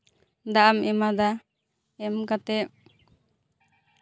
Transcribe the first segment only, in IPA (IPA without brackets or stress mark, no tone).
d̪